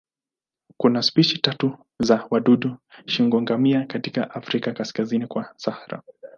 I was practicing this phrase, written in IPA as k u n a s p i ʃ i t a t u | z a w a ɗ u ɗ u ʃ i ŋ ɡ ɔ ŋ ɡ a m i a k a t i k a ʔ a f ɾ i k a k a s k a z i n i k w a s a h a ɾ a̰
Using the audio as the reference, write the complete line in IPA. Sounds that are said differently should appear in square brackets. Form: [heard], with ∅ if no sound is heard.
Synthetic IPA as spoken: k u n a s p i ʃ i t a t u | z a w a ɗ u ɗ u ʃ i ŋ ɡ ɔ ŋ ɡ a m i a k a t i k a ʔ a f ɾ i k a k a s k a z i n i k w a s a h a ɾ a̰